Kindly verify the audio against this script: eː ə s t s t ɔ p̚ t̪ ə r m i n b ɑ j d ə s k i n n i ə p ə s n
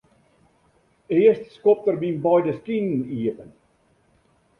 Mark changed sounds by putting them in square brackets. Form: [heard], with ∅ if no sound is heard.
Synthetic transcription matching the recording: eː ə s t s [k] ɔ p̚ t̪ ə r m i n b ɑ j d ə s k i n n i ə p ə [∅] n